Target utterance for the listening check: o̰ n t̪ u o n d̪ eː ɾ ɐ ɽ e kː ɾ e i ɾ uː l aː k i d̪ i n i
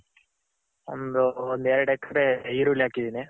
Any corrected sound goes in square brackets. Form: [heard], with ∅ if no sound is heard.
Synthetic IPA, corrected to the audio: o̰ n [d̪] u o n d̪ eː ɾ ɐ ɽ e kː ɾ e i ɾ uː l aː k i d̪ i n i